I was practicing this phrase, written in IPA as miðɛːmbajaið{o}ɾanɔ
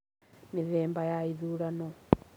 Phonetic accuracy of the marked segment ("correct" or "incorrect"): incorrect